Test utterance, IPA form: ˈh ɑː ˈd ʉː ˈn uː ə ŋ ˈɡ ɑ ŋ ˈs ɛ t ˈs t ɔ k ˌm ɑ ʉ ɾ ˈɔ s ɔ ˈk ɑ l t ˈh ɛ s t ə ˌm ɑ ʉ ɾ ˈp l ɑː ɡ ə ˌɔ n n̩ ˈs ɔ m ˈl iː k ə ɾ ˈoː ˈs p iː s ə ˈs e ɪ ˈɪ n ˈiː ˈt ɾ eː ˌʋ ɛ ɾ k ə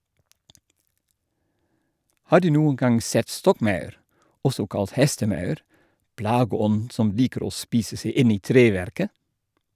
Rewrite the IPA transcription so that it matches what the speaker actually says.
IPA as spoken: ˈh ɑː ˈd ʉː ˈn uː ə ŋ ˈɡ ɑ ŋ ˈs ɛ t ˈs t ɔ k ˌm ɑ ʉ ɾ ˈɔ s ɔ ˈk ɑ l t ˈh ɛ s t ə ˌm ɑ ʉ ɾ ˈp l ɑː ɡ ə ˌɔ n n̩ ˈs ɔ m ˈl iː k ə ɾ ˈoː ˈs p iː s ə ˈs e ɪ ˈɪ n ˈiː ˈt ɾ eː ˌʋ ɛ ɾ k ə